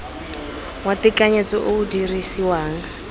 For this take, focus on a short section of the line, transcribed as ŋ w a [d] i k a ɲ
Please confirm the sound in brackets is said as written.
no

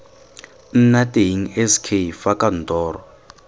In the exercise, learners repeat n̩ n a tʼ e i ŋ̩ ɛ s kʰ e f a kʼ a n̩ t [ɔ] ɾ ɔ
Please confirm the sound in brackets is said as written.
no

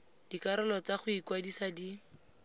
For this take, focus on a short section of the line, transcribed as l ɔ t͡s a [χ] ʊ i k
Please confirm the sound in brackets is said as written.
yes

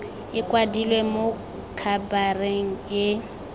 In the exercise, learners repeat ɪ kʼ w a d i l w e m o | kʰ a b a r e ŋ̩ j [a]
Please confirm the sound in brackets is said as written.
no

